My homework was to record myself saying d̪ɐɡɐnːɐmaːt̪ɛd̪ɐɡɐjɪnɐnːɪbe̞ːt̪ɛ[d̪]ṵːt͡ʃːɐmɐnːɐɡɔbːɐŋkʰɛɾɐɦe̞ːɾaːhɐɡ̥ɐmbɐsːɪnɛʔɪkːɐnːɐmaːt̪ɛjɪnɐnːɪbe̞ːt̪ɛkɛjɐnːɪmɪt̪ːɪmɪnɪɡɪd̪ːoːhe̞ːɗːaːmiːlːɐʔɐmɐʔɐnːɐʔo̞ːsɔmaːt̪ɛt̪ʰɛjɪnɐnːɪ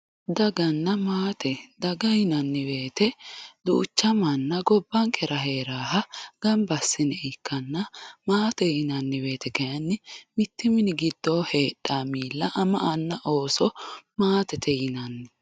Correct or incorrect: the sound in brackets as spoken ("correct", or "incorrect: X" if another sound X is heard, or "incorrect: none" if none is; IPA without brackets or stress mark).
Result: correct